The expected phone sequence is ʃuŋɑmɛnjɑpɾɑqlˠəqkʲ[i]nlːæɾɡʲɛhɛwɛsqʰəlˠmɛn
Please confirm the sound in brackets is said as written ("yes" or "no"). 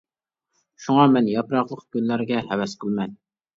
no